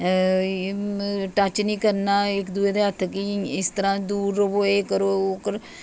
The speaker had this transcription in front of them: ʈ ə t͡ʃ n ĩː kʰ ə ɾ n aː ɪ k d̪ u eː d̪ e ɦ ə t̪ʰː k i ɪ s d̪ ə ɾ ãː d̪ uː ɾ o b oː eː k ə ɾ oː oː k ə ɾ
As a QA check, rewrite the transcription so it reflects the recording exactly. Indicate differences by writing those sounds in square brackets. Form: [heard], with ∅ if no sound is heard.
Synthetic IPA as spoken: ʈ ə t͡ʃ n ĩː [k] ə ɾ n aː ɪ k d̪ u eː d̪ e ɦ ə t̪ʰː k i ɪ s [t̪] ə ɾ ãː d̪ uː ɾ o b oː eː k ə ɾ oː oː k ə ɾ